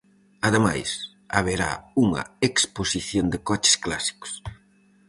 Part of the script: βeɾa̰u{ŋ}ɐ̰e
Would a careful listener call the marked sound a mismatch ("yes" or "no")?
no